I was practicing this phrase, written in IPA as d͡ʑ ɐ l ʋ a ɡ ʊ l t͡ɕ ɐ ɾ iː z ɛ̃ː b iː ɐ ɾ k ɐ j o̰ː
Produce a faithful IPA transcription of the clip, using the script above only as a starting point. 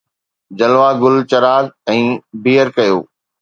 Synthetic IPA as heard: d͡ʑ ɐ l ʋ a ɡ ʊ l t͡ɕ ɐ ɾ aː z ɛ̃ː b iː ə ɾ k ɐ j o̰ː